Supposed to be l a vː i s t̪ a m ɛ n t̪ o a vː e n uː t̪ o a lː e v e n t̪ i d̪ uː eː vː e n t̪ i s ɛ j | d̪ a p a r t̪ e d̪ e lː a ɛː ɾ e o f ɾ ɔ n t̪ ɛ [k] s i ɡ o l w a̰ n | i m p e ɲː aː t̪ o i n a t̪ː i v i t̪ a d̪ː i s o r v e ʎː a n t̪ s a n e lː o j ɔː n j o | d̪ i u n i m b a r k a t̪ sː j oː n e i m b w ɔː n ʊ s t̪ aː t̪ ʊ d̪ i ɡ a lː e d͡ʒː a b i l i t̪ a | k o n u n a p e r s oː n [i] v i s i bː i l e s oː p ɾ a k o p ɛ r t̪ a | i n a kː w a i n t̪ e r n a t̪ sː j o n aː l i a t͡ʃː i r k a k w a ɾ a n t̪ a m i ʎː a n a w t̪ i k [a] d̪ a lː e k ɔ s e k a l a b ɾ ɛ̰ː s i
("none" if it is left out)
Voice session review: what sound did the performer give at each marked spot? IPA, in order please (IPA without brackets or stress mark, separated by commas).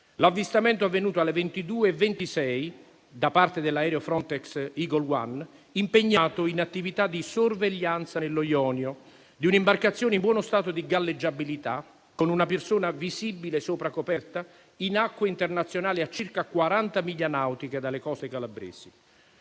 k, a, e